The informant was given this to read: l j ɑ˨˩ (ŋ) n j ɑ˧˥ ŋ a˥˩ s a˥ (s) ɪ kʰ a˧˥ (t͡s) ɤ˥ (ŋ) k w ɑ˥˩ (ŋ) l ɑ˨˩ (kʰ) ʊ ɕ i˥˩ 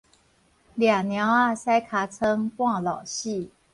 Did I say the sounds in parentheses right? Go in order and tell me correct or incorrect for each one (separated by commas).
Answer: correct, incorrect, incorrect, correct, correct, incorrect